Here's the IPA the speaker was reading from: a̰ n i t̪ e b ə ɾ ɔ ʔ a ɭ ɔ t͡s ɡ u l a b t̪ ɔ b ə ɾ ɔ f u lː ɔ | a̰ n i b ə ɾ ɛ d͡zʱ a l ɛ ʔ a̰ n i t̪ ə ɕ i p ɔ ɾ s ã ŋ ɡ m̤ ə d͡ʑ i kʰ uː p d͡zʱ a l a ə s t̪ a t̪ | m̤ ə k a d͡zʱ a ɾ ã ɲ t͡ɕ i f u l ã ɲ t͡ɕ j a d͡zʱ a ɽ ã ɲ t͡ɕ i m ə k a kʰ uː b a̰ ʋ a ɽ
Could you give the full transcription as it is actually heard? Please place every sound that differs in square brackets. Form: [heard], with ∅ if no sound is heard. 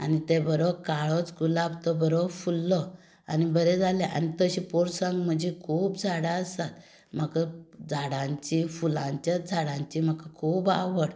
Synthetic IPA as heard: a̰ n i t̪ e b ə ɾ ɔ [k] a ɭ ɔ t͡s ɡ u l a b t̪ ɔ b ə ɾ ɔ f u lː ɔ | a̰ n i b ə ɾ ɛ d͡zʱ a l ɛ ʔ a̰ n i t̪ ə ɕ i p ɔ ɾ s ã ŋ ɡ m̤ ə d͡ʑ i kʰ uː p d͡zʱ a [ɽ] a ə s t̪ a t̪ | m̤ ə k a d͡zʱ a [ɽ] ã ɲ t͡ɕ i f u l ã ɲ t͡ɕ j a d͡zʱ a ɽ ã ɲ t͡ɕ i m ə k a kʰ uː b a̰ ʋ [ə] ɽ